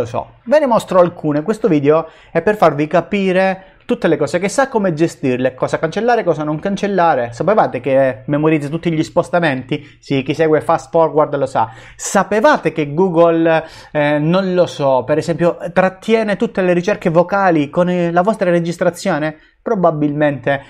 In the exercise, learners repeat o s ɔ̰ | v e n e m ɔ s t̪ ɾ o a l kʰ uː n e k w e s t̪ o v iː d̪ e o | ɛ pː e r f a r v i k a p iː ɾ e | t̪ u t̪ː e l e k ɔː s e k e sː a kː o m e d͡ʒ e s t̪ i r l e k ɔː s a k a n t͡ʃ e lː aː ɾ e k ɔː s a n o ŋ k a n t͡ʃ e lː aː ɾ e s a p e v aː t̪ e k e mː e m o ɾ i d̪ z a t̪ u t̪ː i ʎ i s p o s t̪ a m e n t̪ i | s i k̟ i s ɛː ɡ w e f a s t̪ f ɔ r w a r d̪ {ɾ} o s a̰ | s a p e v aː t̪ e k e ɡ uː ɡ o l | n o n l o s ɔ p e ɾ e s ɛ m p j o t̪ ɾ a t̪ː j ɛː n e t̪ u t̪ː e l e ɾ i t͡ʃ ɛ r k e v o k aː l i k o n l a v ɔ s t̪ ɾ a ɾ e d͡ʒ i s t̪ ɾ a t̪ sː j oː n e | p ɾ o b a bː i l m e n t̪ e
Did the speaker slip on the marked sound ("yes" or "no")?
yes